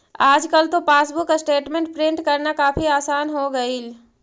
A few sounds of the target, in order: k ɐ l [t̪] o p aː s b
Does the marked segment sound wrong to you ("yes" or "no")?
no